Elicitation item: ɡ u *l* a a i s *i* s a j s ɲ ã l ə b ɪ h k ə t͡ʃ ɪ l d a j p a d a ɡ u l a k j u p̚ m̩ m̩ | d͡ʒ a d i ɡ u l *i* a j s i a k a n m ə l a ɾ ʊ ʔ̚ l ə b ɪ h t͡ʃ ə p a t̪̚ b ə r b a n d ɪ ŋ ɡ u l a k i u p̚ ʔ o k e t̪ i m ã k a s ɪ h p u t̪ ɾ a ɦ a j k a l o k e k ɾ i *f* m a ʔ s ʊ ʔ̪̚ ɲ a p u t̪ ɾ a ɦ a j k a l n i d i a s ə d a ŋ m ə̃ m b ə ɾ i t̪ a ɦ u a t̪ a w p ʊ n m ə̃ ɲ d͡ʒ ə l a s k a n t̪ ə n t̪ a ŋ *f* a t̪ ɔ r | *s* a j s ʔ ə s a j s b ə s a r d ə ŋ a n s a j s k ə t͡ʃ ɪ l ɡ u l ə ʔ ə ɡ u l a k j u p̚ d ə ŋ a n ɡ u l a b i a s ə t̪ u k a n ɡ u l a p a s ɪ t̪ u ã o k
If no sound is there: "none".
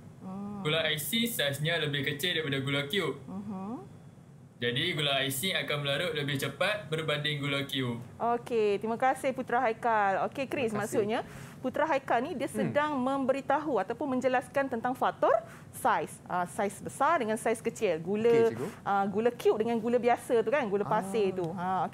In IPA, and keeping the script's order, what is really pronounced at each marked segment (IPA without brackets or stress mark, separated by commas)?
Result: l, i, a, s, f, s